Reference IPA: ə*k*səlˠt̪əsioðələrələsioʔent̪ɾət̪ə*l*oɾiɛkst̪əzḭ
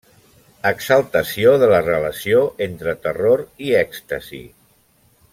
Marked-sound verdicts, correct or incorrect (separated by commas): correct, incorrect